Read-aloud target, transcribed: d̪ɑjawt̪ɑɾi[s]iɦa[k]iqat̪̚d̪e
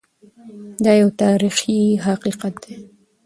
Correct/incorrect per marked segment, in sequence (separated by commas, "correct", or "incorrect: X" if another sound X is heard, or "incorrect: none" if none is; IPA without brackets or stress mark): incorrect: x, incorrect: q